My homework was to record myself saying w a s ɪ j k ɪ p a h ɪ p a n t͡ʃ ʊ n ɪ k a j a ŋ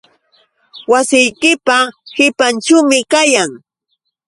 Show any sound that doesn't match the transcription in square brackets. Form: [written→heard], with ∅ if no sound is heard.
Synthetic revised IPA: w a s ɪ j k ɪ p a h ɪ p a n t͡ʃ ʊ [n→m] ɪ k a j a ŋ